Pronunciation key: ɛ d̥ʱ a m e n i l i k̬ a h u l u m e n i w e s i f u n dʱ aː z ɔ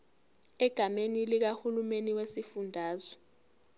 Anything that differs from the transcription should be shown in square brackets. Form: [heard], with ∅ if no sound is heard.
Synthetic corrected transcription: ɛ [ɡ̥ʱ] a m e n i l i k̬ a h u l u m e n i w e s i f u n dʱ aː z ɔ